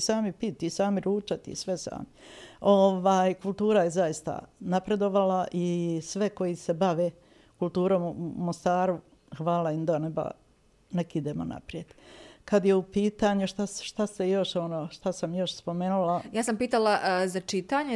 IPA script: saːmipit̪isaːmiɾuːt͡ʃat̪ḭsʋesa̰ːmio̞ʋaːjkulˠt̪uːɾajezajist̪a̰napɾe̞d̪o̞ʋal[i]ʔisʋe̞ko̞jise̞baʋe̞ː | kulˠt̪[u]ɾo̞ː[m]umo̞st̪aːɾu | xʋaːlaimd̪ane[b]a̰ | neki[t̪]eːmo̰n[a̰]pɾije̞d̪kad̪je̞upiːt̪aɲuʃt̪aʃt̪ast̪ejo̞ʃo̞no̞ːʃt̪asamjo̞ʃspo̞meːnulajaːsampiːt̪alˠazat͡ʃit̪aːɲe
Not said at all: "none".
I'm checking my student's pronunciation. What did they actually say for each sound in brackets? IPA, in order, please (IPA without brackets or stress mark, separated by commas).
a, uː, m, b, d̪, a̰